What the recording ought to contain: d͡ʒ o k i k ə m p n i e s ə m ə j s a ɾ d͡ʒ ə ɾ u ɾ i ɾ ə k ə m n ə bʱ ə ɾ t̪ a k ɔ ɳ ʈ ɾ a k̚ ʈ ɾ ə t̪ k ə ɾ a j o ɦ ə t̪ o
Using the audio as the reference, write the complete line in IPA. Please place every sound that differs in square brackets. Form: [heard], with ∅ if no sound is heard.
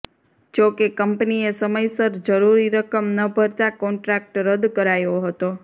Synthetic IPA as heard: d͡ʒ o k [e] k ə m p n i e s ə m ə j s [ə] ɾ d͡ʒ ə ɾ u ɾ i ɾ ə k ə m n ə bʱ ə ɾ t̪ a k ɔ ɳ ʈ ɾ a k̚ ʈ ɾ ə [d̪] k ə ɾ a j o ɦ ə t̪ o